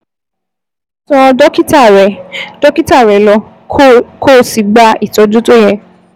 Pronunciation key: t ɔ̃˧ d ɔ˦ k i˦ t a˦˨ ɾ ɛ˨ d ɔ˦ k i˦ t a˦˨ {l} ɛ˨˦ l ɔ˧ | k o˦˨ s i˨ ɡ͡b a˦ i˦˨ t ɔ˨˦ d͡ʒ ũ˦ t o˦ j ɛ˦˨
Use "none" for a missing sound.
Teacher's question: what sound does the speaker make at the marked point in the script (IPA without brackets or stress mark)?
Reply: ɾ